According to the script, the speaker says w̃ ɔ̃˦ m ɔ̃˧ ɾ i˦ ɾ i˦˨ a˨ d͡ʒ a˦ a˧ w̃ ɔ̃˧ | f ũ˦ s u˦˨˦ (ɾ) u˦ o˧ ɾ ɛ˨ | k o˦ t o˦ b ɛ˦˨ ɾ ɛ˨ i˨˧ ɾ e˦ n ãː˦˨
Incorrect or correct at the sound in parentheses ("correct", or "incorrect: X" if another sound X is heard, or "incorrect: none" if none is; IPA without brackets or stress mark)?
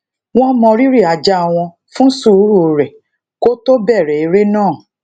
correct